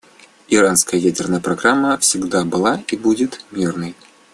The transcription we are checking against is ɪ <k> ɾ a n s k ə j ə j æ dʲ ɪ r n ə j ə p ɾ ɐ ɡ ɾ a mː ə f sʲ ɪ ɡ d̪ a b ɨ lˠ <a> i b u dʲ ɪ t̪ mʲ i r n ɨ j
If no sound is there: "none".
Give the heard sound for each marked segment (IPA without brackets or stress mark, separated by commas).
none, a